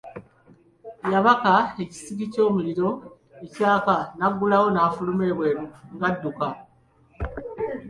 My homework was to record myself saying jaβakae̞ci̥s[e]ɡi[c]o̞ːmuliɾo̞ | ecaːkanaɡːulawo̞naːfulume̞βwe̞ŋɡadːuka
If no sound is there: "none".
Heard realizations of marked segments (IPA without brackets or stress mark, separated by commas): i, c